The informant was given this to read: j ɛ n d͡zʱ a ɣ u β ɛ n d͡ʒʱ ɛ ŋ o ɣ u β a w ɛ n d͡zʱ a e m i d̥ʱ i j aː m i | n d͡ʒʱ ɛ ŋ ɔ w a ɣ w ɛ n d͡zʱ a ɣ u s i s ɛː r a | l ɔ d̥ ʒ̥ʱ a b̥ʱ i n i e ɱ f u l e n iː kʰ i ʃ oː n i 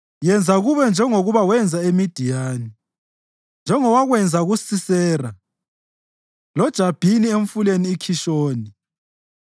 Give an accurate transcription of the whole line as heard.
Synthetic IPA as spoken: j ɛ n d͡zʱ a ɣ u β ɛ n d͡ʒʱ ɛ ŋ o ɣ u β a w ɛ n d͡zʱ a e m i d̥ʱ i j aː n i | n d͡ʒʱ ɛ ŋ ɔ w a ɣ w ɛ n d͡zʱ a ɣ u s i s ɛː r a | l ɔ d̥ ʒ̥ʱ a b̥ʱ i n i e ɱ f u l e n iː kʰ i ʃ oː n i